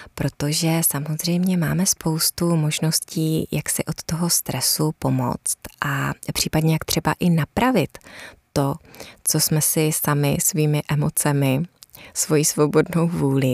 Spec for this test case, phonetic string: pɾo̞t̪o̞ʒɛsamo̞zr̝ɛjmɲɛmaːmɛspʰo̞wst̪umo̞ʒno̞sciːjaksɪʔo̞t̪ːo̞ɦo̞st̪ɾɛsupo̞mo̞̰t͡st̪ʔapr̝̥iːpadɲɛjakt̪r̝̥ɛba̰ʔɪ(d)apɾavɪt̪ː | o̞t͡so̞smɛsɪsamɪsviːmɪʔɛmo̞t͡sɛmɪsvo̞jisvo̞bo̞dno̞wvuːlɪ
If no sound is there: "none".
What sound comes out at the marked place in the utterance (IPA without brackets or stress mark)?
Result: n